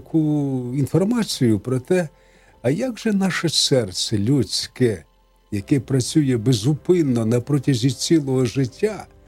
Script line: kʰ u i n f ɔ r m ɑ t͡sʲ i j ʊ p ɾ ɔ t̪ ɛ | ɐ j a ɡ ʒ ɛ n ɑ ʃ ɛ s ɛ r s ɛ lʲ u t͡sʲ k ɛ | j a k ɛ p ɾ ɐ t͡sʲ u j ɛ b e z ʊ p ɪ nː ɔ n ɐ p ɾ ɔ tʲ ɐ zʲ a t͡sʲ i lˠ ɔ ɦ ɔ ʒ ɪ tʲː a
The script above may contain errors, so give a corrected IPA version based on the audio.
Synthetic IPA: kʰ u i n f ɔ r m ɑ t͡sʲ i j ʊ p ɾ ɔ t̪ ɛ | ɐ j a ɡ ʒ ɛ n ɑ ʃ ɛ s ɛ r s ɛ lʲ u t͡sʲ k ɛ | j ɐ k ɛ p ɾ ɐ t͡sʲ u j ɛ b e z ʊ p ɪ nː ɔ n ɐ p ɾ ɔ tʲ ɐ zʲ i t͡sʲ i lˠ ɔ ɦ ɔ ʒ ɪ tʲː a